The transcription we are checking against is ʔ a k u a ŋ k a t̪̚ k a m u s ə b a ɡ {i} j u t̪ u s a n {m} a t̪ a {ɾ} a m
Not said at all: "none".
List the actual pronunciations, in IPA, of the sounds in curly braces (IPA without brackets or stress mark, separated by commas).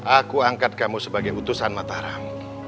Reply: a, m, ɾ